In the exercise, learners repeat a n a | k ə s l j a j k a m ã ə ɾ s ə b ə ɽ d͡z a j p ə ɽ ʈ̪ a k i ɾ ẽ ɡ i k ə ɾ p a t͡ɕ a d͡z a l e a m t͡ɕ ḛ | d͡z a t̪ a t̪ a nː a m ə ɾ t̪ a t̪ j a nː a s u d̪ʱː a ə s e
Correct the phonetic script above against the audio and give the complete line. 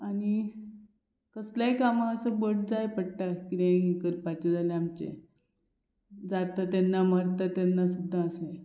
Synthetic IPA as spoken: a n i | k ə s l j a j k a m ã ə s ə b ə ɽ d͡z a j p ə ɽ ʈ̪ a k i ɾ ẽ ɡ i k ə ɾ p a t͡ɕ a d͡z a l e a m t͡ɕ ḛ | d͡z a t̪ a t̪ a nː a m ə ɾ t̪ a t̪ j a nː a s u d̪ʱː a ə s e